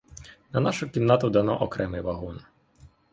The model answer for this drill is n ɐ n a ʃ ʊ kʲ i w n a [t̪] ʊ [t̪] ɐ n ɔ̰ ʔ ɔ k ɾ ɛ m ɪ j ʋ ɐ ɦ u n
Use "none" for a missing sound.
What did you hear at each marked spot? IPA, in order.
t̪, d̪

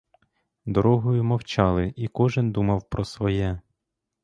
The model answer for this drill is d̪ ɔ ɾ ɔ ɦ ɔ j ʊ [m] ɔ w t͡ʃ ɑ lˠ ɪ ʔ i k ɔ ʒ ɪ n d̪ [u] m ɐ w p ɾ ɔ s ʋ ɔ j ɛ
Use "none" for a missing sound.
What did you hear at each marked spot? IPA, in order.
m, u

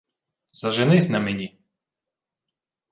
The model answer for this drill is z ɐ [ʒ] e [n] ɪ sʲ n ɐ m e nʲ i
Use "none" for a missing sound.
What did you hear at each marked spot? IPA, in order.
ʒ, n

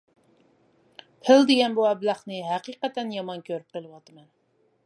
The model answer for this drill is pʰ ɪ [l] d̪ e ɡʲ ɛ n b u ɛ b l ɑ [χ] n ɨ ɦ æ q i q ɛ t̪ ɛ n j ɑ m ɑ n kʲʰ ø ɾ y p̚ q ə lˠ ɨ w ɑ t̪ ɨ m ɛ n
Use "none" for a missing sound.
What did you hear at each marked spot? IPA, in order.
l, χ

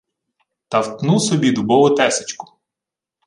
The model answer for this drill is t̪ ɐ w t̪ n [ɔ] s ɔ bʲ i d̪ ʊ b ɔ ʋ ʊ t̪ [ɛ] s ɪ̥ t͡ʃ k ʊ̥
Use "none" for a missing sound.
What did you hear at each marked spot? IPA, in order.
u, ɛ

